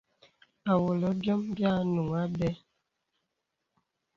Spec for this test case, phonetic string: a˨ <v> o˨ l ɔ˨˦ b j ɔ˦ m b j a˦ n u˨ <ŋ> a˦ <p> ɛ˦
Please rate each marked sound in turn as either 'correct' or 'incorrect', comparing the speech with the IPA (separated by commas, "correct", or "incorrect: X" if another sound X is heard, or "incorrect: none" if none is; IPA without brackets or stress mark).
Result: incorrect: w, correct, incorrect: b